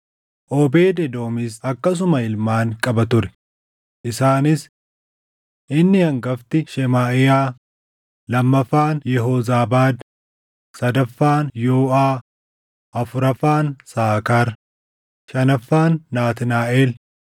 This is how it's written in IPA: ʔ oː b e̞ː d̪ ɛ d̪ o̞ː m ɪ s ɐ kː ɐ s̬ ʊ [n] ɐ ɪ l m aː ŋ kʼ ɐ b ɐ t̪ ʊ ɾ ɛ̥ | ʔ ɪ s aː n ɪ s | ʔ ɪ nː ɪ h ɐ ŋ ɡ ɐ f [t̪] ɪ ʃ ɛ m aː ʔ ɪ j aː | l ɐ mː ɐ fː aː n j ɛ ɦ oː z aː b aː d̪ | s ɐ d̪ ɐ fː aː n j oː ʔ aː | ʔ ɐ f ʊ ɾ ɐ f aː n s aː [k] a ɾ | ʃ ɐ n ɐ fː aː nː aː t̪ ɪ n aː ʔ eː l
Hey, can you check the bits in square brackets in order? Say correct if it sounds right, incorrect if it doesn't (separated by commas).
incorrect, correct, correct